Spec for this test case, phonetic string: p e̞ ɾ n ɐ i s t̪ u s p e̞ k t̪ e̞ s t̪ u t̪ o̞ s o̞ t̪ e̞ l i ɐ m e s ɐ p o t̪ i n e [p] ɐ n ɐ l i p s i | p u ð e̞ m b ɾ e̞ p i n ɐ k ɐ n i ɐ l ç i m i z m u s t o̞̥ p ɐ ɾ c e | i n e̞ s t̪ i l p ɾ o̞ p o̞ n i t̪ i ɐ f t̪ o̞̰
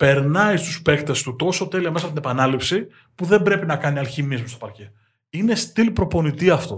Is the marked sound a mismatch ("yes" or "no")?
no